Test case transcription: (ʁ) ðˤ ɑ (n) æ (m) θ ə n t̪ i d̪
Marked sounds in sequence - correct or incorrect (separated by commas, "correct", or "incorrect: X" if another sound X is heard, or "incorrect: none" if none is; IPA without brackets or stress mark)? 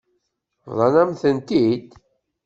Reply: incorrect: v, correct, correct